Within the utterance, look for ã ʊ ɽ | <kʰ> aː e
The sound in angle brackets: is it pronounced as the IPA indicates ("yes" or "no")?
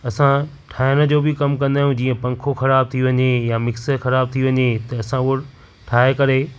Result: no